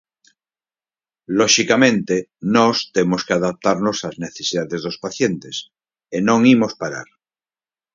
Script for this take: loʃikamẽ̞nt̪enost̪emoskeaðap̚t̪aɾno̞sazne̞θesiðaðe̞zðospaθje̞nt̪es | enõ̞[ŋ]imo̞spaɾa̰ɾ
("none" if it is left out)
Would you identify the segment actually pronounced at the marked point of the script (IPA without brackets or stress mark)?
ŋ